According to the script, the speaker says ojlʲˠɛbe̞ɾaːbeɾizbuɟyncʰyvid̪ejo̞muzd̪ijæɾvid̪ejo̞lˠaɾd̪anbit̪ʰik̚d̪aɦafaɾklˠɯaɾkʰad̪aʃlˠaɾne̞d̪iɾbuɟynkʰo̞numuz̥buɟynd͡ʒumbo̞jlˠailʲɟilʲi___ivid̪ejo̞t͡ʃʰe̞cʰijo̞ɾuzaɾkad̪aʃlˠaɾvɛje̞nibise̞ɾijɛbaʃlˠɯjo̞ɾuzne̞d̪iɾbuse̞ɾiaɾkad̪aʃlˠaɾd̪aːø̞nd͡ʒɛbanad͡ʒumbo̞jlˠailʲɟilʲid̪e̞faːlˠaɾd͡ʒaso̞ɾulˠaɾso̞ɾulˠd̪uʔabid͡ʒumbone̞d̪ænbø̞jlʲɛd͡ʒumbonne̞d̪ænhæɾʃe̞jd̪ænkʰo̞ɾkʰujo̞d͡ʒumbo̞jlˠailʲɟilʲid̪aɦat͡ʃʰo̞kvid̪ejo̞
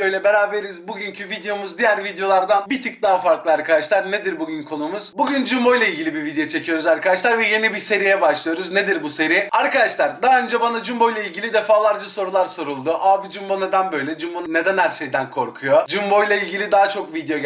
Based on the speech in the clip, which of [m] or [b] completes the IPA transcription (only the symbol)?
b